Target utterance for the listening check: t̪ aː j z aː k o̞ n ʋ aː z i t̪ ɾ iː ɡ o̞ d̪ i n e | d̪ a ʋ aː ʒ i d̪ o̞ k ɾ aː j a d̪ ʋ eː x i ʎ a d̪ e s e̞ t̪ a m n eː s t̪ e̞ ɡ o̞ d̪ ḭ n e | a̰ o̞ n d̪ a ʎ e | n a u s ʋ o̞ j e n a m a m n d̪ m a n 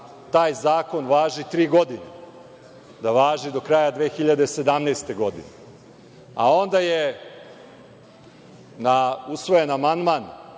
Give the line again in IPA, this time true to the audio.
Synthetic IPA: t̪ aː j z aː k o̞ n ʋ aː ʒ i t̪ ɾ iː ɡ o̞ d̪ i n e | d̪ a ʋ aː ʒ i d̪ o̞ k ɾ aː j a d̪ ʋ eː x i ʎ a d̪ e s e̞ d̪ a m n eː s t̪ e̞ ɡ o̞ d̪ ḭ n e | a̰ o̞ n d̪ a j e | n a u s ʋ o̞ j e n a m a n d̪ m a n